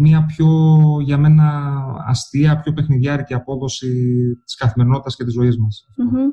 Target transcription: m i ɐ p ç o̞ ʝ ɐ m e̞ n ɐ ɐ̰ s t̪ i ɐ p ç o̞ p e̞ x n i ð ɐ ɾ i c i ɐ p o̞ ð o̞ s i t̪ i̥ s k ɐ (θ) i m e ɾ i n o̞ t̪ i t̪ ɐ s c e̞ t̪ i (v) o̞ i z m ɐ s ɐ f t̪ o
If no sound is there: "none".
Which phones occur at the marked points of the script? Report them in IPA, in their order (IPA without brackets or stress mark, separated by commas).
θ, z